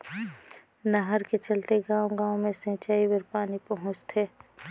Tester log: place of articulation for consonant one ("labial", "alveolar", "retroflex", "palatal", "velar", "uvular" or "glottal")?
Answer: alveolar